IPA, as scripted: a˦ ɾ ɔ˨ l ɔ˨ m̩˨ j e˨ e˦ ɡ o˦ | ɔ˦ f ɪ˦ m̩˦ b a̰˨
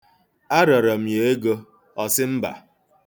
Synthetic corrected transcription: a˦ ɾ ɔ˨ ɾ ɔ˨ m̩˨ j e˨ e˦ ɡ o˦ | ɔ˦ s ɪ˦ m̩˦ b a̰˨